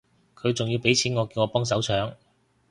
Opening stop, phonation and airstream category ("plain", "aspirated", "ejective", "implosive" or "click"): aspirated